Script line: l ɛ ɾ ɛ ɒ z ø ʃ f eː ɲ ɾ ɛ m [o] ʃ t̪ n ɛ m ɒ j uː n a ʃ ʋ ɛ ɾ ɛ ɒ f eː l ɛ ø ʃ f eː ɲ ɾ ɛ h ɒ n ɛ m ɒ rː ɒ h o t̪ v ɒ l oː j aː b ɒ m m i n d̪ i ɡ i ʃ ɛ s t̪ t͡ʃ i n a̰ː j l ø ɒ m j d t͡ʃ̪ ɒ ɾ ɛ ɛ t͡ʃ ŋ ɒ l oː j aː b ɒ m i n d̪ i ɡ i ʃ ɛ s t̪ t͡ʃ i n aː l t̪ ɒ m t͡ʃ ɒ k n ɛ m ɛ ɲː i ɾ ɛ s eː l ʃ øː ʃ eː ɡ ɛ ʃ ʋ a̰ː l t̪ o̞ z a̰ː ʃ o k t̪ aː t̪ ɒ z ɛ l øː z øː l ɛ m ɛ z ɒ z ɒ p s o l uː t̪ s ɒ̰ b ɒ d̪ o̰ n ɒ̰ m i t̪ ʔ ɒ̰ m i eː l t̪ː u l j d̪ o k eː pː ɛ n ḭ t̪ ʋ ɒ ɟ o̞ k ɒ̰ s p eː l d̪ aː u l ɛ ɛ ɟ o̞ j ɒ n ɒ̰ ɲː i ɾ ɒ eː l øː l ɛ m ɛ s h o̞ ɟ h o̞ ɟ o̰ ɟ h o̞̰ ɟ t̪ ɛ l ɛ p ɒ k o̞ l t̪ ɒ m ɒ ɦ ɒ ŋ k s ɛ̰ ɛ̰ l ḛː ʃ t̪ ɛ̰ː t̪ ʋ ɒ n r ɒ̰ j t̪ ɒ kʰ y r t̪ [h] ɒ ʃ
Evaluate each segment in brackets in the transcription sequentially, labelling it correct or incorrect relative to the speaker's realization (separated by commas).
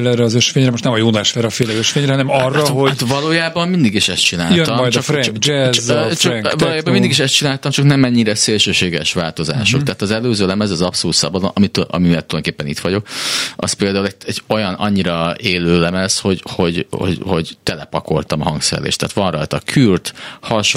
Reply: correct, correct